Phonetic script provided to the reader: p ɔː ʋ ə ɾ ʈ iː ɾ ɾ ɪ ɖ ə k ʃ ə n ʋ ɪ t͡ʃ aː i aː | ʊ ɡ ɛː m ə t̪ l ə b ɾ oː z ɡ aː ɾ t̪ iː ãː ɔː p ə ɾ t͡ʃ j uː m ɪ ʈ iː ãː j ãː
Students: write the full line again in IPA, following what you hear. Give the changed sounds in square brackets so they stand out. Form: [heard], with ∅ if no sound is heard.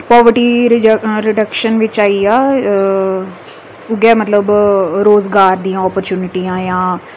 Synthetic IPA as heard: p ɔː ʋ ə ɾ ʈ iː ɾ ɾ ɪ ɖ ə k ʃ ə n ʋ ɪ t͡ʃ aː i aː | ʊ ɡ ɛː m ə t̪ l ə b ɾ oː z ɡ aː ɾ [d̪] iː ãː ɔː p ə ɾ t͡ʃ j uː [n] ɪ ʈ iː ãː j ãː